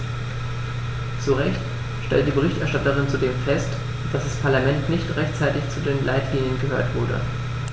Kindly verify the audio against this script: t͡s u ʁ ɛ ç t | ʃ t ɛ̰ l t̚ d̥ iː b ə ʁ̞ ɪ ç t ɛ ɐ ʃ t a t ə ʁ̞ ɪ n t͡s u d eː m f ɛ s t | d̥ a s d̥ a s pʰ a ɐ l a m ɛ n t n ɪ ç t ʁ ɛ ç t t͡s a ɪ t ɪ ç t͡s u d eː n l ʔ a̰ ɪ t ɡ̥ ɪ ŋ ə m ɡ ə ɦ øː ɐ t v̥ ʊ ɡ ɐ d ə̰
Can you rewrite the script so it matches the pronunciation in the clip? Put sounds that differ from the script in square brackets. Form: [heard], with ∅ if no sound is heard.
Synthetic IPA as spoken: t͡s u ʁ ɛ ç t | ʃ t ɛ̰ l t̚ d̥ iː b ə ʁ̞ ɪ ç t ɛ ɐ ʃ t a t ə ʁ̞ ɪ n t͡s u d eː m f ɛ s t | d̥ a s d̥ a s pʰ a ɐ l a m ɛ n t n ɪ ç t ʁ ɛ ç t t͡s a ɪ t ɪ ç t͡s u d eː n l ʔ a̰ ɪ t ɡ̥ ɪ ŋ ə [n] ɡ ə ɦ øː ɐ t v̥ ʊ [∅] ɐ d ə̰